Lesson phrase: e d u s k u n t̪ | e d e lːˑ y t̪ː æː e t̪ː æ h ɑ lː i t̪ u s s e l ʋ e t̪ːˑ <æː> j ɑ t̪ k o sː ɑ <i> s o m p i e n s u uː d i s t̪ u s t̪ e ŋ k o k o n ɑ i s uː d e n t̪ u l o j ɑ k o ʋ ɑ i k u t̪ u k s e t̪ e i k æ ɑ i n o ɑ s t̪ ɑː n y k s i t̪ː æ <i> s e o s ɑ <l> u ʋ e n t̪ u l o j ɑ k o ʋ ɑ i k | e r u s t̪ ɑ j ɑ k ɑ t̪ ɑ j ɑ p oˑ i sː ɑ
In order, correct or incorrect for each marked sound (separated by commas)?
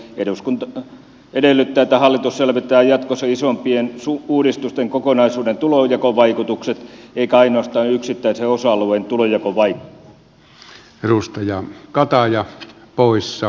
correct, correct, correct, correct